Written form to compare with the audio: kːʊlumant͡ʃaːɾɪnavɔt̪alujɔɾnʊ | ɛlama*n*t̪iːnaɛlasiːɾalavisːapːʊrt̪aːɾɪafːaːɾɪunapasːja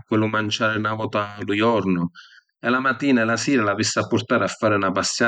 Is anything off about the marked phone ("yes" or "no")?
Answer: yes